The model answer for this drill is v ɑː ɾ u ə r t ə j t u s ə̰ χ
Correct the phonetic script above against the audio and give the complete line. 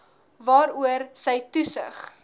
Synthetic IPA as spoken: v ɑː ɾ u ə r s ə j t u s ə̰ χ